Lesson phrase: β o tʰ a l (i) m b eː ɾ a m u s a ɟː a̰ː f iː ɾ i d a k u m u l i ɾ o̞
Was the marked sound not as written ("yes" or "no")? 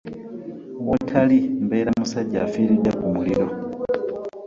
no